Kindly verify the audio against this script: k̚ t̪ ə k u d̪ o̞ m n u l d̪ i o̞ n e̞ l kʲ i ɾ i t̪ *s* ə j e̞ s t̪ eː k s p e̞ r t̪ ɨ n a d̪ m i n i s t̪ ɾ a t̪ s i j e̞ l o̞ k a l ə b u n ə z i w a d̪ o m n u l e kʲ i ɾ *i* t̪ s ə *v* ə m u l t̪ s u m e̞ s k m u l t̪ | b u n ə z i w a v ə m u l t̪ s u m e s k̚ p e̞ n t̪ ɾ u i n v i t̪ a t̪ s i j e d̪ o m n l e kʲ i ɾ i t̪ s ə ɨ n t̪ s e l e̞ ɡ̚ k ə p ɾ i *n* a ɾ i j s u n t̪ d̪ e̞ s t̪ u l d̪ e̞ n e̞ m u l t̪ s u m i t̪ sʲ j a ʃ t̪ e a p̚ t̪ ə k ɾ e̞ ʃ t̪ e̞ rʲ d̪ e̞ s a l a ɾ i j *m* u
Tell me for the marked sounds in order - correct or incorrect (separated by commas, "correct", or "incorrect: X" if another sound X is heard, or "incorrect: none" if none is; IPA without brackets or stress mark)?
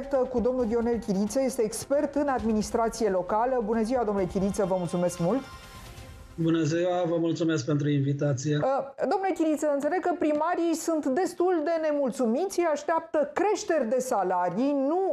correct, correct, correct, incorrect: m, incorrect: n